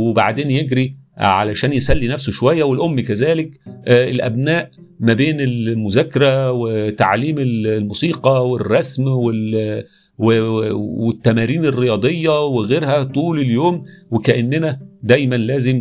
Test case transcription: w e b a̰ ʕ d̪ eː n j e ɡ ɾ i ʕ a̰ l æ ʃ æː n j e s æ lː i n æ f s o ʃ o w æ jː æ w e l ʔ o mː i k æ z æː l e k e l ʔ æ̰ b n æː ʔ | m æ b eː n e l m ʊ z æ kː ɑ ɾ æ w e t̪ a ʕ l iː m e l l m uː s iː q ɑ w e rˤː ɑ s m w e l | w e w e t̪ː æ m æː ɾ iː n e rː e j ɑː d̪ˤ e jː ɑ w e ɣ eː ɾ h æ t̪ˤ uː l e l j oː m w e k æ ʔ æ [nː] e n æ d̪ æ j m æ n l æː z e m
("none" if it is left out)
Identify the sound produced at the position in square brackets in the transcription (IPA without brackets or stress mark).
nː